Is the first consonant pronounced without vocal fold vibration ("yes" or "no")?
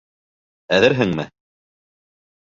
no